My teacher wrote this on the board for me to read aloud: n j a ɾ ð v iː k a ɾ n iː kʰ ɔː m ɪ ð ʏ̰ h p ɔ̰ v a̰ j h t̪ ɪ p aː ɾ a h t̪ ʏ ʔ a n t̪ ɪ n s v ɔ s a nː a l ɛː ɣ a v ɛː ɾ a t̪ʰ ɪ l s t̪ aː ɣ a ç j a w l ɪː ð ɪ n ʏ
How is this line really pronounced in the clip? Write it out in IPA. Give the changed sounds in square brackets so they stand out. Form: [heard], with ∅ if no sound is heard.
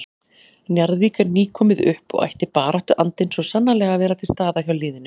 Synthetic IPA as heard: n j a ɾ ð v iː k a ɾ n iː kʰ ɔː m ɪ ð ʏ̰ h p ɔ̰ [ɣ] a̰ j h t̪ ɪ p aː ɾ a h t̪ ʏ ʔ a n t̪ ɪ n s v ɔ s a nː a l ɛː ɣ a v ɛː ɾ a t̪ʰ ɪ l s t̪ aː [ð] a ç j a w l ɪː ð ɪ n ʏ

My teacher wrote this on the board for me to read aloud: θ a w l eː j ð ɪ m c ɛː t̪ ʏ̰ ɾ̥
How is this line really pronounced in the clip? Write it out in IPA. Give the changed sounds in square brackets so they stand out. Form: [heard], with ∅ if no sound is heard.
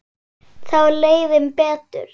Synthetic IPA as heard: θ a w l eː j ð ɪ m [p] ɛː t̪ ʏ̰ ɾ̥

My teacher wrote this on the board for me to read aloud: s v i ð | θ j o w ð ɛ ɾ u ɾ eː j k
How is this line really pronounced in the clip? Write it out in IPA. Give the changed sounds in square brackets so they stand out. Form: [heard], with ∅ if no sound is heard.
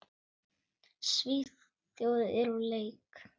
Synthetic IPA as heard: s v i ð | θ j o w ð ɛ ɾ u [l] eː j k

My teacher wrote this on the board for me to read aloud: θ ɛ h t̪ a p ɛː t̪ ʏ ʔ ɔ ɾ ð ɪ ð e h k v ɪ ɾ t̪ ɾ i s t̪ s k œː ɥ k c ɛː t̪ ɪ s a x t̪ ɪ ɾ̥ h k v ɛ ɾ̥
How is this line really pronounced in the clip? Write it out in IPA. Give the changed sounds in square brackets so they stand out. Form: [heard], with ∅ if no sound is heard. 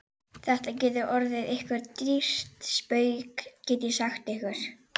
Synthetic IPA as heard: θ ɛ h t̪ a [c] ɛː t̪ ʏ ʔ ɔ ɾ ð ɪ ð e h k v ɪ ɾ t̪ ɾ i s t̪ s [p] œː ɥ k c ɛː t̪ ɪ s a x t̪ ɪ [∅] h k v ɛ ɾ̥

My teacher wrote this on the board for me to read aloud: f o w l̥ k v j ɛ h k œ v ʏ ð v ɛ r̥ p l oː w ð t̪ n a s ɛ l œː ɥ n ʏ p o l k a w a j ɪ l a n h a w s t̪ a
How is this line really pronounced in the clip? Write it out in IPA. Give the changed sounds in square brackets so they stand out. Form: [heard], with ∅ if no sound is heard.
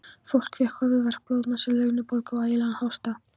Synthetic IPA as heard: f o w l̥ k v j ɛ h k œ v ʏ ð v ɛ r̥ p l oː w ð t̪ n a s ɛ l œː ɥ n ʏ p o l k a w a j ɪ l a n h a w s t̪ a

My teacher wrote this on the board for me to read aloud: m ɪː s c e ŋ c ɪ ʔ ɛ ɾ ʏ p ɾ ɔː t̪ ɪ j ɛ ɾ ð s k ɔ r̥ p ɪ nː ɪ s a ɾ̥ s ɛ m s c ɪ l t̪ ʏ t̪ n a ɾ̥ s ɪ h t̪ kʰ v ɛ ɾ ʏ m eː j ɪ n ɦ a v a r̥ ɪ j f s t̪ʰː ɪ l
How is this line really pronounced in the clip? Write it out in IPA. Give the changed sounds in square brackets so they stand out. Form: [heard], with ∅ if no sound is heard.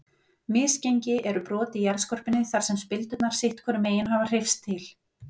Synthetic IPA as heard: m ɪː s c e [ɲ] c ɪ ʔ ɛ ɾ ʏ p ɾ ɔː t̪ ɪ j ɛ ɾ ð s k ɔ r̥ p ɪ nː ɪ [θ] a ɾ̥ s ɛ m s [p] ɪ l t̪ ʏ t̪ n a ɾ̥ s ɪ h t̪ kʰ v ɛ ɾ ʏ m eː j ɪ n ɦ a v a r̥ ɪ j f s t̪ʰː ɪ l

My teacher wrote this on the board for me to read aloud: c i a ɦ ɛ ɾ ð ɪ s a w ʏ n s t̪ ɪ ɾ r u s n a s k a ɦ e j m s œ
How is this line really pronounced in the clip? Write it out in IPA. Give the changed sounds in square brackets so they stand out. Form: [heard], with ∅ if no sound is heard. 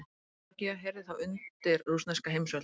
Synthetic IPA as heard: c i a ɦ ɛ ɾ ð ɪ [θ] a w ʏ n [t] t̪ ɪ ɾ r u s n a s k a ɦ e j m s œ

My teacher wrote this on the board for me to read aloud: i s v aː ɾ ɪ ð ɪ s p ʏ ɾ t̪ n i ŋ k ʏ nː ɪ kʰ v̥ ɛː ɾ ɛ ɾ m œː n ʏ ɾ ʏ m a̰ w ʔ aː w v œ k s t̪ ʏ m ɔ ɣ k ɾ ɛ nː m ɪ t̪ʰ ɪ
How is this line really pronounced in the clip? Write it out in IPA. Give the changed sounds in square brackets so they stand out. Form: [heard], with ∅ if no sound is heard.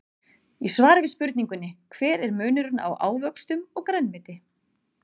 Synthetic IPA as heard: i s v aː ɾ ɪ [v] ɪ s p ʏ ɾ t̪ n i ŋ k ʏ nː ɪ kʰ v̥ ɛː ɾ ɛ ɾ m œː n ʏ ɾ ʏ [n] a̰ w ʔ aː w v œ k s t̪ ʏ m ɔ ɣ k ɾ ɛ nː m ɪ [t̪] ɪ

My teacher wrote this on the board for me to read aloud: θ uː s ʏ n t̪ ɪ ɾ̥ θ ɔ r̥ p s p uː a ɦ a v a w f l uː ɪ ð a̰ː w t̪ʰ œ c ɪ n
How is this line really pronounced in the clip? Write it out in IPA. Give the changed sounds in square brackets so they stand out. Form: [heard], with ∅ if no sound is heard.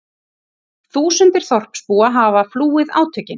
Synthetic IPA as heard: θ uː s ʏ n t̪ ɪ ɾ̥ θ ɔ r̥ p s p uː a ɦ a v a [∅] f l uː ɪ ð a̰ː w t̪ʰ œ c ɪ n

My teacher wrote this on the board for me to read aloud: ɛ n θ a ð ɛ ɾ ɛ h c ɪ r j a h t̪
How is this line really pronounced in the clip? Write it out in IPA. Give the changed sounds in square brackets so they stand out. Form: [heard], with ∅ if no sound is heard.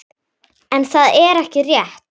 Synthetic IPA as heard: ɛ n θ a ð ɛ ɾ ɛ h c ɪ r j [ɛ] h t̪

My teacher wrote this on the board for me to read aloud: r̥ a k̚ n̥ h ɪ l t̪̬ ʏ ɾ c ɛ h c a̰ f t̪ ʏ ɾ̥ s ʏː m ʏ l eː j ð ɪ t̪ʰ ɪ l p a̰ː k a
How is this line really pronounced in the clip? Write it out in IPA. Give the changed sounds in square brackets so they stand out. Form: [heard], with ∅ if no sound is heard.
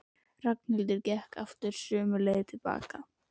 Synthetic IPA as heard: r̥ a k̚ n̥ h ɪ l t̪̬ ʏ ɾ c ɛ h [k] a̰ f t̪ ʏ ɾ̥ s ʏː m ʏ l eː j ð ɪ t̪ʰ ɪ l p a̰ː k a

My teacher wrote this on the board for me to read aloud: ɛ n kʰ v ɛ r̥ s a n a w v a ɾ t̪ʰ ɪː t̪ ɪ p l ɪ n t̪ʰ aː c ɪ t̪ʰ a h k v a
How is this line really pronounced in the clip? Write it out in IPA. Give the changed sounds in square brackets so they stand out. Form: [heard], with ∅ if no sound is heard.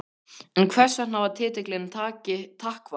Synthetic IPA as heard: ɛ n kʰ v ɛ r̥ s a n a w v a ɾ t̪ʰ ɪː t̪ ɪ [k] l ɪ n t̪ʰ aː c ɪ t̪ʰ a h k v a

